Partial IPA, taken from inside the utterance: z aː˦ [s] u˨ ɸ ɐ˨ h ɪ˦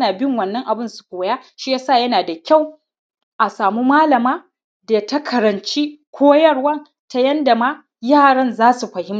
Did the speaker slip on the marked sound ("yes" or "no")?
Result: no